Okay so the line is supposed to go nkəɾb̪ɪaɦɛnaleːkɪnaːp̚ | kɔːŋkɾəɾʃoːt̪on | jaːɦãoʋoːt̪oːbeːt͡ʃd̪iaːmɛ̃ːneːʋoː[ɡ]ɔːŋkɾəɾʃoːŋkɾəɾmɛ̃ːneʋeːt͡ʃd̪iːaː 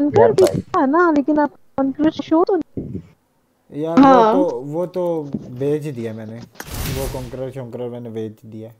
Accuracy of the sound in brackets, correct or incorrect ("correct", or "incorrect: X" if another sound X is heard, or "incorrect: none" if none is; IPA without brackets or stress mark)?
incorrect: k